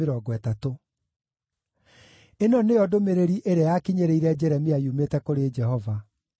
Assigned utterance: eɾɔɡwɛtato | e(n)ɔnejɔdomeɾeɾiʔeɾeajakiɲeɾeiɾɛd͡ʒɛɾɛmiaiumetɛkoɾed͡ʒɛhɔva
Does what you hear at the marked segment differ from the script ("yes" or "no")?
no